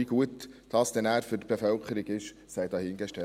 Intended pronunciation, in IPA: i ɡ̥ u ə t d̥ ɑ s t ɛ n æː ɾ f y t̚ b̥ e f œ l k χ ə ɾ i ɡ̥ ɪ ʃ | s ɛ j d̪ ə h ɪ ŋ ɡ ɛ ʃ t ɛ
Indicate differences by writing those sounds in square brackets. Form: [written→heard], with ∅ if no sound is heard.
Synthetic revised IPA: i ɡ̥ u ə t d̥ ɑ s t ɛ n æː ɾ f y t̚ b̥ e f œ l k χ ə ɾ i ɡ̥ ɪ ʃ | s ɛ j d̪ [ə→ɑ] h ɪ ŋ ɡ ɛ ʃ t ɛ